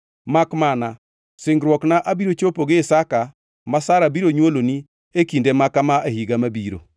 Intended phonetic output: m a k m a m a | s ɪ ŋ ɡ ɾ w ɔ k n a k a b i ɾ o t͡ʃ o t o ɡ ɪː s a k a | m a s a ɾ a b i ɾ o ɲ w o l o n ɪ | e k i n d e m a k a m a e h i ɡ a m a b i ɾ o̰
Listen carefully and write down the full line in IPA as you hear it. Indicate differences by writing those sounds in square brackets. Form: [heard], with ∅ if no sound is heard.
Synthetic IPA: m a k m a [n] a | s ɪ ŋ ɡ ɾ w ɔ k n a [ʔ] a b i ɾ o t͡ʃ o [p] o ɡ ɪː s a k a | m a s a ɾ a b i ɾ o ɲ w o l o n [i] | e k i n d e m a k a m a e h i ɡ a m a b i ɾ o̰